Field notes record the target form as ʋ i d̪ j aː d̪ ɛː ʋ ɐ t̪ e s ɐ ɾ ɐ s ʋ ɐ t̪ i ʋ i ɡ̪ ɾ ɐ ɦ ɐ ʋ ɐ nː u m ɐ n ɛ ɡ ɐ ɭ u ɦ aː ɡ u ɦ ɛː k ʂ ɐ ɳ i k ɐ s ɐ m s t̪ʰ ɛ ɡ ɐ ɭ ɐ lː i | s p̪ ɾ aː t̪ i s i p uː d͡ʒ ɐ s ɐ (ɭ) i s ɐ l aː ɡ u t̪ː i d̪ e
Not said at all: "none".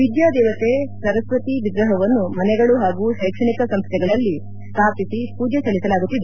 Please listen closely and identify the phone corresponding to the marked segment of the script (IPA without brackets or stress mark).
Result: ɭ